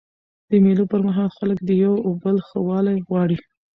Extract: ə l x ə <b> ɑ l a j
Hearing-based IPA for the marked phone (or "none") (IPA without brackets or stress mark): w